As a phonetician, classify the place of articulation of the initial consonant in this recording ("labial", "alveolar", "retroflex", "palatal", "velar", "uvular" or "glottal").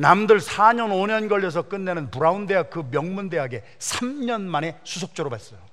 alveolar